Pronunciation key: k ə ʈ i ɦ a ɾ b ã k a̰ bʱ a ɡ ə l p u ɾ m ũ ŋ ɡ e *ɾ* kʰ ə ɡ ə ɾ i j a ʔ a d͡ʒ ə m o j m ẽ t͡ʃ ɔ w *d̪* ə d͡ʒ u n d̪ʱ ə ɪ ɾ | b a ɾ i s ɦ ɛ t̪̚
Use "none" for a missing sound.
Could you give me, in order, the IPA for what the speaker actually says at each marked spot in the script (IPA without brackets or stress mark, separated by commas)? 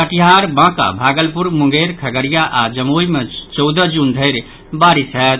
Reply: ɾ, d̪